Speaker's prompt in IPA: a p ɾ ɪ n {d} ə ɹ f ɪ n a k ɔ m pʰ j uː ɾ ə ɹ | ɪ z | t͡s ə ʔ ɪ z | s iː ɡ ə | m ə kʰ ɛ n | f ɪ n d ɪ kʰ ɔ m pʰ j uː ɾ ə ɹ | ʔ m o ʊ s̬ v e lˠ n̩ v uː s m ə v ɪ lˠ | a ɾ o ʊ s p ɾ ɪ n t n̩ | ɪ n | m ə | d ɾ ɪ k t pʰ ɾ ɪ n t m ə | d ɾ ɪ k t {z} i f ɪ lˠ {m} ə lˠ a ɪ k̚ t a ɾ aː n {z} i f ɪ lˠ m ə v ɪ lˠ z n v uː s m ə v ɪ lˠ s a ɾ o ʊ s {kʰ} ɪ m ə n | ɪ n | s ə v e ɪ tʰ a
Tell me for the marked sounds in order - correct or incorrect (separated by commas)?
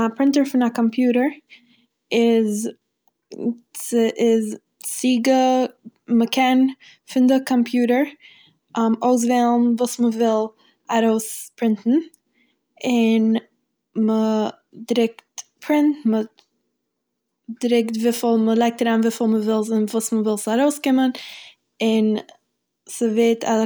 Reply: incorrect, incorrect, correct, incorrect, incorrect